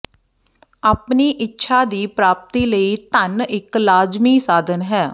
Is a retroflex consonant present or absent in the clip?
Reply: absent